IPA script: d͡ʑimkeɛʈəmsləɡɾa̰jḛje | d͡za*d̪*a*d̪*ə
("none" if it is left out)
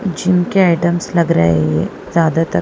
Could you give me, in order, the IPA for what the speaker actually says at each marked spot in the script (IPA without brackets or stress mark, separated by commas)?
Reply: d̪, t̪